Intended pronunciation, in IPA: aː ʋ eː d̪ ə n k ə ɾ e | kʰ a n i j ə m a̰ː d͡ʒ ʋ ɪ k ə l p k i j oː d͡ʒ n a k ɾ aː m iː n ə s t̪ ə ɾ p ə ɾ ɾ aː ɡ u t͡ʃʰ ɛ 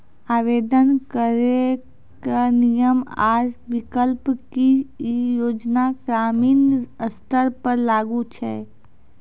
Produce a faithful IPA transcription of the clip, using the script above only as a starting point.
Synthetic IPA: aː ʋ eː d̪ ə n k ə ɾ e | k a n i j ə m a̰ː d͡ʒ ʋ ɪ k ə l p k i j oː d͡ʒ n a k ɾ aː m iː n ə s t̪ ə ɾ p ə ɾ l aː ɡ u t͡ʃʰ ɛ